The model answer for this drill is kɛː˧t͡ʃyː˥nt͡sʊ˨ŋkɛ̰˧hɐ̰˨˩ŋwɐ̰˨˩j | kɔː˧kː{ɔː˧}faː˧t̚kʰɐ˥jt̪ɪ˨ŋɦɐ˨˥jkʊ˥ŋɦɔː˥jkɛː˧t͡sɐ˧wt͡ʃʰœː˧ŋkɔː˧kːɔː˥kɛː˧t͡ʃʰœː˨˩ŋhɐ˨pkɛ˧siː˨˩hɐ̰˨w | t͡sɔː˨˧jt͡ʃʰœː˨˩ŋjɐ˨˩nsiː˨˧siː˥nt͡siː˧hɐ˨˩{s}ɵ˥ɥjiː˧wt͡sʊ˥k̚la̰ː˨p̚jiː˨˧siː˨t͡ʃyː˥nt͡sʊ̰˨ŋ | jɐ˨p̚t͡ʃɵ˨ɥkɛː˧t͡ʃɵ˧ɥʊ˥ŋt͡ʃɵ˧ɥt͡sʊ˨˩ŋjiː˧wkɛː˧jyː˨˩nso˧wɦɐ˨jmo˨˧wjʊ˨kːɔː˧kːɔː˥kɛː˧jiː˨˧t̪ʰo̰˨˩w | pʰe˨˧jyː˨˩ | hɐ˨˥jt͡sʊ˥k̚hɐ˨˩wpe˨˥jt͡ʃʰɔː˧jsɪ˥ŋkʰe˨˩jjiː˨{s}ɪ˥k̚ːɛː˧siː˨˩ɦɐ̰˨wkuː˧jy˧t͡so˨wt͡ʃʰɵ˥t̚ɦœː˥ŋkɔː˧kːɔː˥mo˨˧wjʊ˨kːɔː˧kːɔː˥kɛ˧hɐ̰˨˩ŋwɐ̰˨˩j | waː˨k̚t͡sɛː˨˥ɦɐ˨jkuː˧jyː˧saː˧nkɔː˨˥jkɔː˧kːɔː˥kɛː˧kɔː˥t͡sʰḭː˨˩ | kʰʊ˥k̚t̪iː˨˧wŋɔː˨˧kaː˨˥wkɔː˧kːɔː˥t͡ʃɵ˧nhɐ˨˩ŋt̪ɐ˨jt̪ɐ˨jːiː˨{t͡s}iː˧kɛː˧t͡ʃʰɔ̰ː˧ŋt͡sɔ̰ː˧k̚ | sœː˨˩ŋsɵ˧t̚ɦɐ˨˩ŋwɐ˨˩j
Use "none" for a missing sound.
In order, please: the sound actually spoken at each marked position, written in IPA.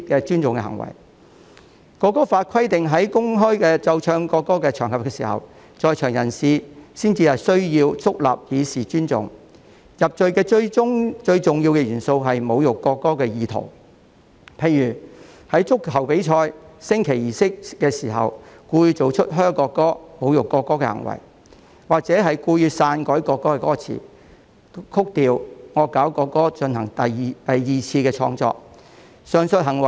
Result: ɔː˥, s, s, t͡sʰ

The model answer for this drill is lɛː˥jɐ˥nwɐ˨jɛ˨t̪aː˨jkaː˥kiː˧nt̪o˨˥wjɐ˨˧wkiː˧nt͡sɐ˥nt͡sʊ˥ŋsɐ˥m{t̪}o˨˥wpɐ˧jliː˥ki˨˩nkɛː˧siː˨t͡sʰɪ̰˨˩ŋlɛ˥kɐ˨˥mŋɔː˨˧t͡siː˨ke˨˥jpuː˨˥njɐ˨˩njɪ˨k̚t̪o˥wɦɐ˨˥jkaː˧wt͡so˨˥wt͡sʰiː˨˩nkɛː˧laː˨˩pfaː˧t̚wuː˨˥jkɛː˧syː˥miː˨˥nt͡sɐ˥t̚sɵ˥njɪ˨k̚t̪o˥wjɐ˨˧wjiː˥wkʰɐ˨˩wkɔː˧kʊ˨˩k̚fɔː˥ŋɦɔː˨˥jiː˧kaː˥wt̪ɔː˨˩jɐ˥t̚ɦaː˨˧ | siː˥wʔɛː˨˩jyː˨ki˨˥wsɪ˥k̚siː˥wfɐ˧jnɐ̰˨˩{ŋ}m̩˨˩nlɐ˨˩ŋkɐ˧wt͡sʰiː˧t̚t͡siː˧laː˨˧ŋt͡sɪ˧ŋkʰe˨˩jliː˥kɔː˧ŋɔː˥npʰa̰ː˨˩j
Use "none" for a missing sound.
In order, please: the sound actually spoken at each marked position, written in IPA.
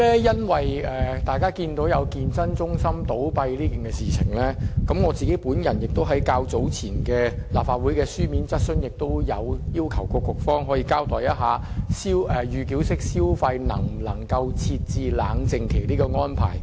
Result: t̪, ŋ

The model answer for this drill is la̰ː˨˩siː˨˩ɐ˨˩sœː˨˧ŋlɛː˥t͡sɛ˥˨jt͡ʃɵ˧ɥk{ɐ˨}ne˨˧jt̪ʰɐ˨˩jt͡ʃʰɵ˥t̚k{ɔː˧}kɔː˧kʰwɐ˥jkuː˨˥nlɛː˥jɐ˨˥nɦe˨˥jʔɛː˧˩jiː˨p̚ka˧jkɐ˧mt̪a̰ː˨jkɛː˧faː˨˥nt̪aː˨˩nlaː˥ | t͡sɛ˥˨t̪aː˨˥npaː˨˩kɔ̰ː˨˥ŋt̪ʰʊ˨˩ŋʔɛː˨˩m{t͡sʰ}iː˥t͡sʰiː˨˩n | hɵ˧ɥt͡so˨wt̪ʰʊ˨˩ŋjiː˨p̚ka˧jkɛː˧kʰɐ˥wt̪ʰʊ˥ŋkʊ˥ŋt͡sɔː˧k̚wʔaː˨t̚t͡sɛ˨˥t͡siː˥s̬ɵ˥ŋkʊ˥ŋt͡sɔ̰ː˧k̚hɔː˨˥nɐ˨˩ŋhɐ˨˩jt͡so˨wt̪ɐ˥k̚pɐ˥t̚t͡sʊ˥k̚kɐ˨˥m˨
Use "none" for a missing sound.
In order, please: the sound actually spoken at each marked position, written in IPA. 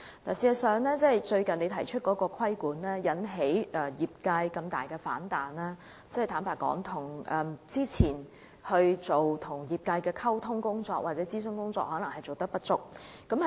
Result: ɐ˨, ɔː˨˥, t͡s

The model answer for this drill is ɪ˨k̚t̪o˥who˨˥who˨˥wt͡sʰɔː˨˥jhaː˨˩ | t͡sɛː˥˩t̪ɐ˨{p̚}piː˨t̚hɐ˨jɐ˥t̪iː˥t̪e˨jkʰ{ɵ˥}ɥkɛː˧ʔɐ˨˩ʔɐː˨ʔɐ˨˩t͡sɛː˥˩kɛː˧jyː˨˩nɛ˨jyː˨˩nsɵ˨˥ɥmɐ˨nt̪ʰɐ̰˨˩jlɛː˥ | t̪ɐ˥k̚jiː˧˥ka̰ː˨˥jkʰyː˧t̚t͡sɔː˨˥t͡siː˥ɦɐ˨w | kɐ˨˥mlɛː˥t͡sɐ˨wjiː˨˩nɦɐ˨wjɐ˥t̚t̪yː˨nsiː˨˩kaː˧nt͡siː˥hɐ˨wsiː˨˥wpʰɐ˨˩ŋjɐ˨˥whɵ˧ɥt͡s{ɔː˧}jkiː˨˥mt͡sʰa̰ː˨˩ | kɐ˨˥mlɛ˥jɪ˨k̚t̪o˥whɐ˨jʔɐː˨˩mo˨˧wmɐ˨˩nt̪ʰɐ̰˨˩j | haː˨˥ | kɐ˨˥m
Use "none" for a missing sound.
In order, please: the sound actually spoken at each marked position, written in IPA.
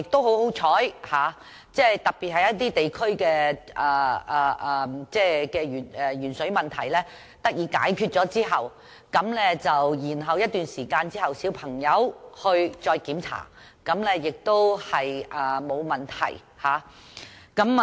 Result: k̚, ɵ˥, ɔː˧

